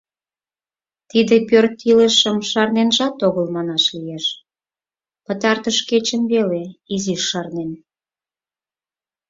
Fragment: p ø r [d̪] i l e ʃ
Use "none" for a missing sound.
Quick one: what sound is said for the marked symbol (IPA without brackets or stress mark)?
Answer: t̪